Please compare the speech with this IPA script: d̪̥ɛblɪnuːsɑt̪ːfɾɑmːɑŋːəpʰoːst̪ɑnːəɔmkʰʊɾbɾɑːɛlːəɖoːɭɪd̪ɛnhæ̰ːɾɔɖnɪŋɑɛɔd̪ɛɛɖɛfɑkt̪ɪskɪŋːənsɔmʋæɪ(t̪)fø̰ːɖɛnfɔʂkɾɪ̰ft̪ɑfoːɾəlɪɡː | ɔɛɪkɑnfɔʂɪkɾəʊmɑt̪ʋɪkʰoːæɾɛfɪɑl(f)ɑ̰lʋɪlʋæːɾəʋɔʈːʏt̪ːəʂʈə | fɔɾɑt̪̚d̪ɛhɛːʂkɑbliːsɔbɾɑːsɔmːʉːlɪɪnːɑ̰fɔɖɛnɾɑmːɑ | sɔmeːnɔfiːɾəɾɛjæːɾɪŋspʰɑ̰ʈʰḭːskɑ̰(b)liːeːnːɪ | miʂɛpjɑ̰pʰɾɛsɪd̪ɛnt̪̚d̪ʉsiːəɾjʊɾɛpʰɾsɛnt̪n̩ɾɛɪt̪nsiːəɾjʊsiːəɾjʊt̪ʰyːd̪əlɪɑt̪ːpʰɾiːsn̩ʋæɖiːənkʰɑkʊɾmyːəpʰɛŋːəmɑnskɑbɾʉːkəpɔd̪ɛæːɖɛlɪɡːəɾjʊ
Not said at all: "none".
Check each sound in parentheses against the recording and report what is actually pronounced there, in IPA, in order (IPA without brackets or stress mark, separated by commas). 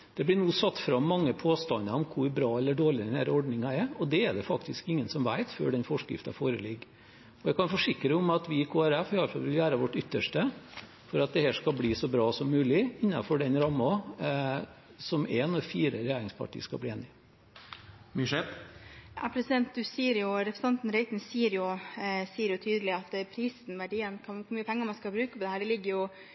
t̪, f, b